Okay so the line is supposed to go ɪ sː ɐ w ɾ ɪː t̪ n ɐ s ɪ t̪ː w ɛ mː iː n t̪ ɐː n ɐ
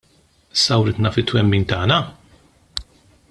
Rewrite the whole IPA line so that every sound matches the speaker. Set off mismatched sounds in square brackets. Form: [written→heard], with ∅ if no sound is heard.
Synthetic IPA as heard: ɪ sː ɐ w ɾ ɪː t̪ n ɐ [s→f] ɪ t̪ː w ɛ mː iː n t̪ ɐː n ɐ

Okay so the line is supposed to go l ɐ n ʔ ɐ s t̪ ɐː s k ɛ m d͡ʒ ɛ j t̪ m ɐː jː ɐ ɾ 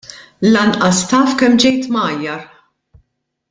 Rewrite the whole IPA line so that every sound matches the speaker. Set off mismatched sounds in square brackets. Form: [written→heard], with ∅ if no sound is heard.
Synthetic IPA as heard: l ɐ n ʔ ɐ s t̪ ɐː [s→f] k ɛ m d͡ʒ ɛ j t̪ m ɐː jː ɐ ɾ

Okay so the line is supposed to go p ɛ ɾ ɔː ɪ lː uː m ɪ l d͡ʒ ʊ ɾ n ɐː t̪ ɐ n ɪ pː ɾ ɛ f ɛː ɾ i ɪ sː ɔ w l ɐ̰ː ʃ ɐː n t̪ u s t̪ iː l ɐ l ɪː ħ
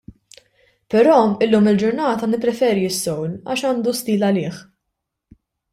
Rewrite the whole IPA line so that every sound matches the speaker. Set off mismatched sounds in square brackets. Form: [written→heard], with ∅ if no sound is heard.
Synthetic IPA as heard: p ɛ ɾ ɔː ɪ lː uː m ɪ l d͡ʒ ʊ ɾ n ɐː t̪ ɐ n ɪ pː ɾ ɛ f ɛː ɾ i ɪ sː ɔ w l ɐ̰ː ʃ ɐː n [t̪→d̪] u s t̪ iː l ɐ l ɪː ħ

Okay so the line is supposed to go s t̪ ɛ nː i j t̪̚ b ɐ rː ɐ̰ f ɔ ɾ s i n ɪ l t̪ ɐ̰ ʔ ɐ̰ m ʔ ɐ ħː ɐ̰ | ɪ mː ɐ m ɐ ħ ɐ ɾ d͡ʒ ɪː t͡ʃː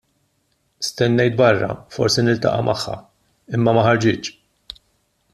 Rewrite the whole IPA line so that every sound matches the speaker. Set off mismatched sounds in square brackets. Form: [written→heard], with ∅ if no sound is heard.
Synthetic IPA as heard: s t̪ ɛ nː [i→ɛ] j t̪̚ b ɐ rː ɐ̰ f ɔ ɾ s i n ɪ l t̪ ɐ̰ ʔ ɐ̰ m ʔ ɐ ħː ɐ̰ | ɪ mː ɐ m ɐ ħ ɐ ɾ d͡ʒ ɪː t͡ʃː

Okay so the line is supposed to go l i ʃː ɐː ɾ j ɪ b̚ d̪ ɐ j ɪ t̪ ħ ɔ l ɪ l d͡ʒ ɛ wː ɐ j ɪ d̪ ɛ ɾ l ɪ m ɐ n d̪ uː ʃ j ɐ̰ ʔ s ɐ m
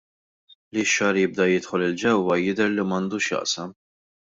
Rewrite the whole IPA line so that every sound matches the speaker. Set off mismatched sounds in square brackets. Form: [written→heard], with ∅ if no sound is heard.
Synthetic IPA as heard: l i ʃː ɐː ɾ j ɪ b̚ d̪ ɐ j ɪ t̪ ħ ɔ l ɪ l d͡ʒ ɛ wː ɐ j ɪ d̪ ɛ ɾ l [ɪ→i] m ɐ n d̪ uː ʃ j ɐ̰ ʔ s ɐ m

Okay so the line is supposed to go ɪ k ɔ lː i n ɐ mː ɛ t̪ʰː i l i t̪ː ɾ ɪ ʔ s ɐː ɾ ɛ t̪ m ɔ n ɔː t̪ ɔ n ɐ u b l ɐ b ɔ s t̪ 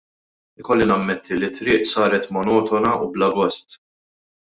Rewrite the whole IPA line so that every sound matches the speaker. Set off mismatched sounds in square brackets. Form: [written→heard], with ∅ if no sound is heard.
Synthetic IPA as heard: ɪ k ɔ lː i n ɐ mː ɛ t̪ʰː i l i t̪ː ɾ [ɪ→ɪː] ʔ s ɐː ɾ ɛ t̪ m ɔ n ɔː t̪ ɔ n ɐ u b l ɐ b ɔ s t̪

